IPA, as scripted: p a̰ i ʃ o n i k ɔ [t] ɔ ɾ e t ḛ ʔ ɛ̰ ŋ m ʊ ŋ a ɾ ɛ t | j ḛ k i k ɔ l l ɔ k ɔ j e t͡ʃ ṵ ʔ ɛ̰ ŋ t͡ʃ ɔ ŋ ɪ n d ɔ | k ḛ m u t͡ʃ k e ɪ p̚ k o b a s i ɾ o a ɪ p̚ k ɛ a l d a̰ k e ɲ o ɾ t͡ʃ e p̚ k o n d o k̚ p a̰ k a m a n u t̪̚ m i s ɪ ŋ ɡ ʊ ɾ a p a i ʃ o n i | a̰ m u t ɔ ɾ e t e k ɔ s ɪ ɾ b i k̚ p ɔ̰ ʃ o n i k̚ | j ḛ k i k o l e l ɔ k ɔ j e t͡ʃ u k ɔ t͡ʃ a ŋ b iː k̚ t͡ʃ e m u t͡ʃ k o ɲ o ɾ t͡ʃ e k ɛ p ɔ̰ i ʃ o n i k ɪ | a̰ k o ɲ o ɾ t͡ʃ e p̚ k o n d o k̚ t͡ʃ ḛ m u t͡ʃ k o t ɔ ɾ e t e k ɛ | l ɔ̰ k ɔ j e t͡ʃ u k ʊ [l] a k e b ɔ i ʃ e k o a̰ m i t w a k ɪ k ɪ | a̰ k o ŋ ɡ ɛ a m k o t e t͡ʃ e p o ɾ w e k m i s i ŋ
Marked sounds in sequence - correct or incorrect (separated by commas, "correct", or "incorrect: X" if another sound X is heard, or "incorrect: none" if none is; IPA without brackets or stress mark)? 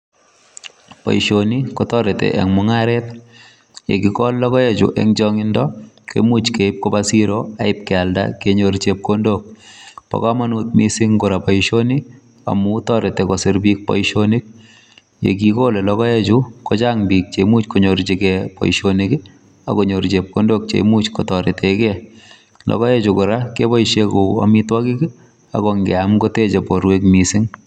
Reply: correct, incorrect: ɾ